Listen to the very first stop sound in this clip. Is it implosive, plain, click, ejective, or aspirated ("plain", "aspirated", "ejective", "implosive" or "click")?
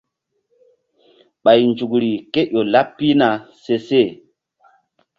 implosive